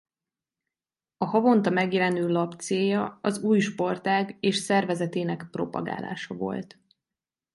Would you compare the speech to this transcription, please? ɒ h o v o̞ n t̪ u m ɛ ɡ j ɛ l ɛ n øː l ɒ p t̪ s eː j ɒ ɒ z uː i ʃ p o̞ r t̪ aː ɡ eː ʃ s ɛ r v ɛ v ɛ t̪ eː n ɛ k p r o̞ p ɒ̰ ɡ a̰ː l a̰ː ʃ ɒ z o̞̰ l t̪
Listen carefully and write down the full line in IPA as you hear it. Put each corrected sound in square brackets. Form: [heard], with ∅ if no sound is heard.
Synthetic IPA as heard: ɒ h [ɒ] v o̞ n t̪ [ɒ] m ɛ ɡ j ɛ l ɛ n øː l ɒ p t̪ s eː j ɒ ɒ z uː [j] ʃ p o̞ r t̪ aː ɡ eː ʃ s ɛ r v ɛ [z] ɛ t̪ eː n ɛ k p r o̞ p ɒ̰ ɡ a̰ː l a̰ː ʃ ɒ [v] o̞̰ l t̪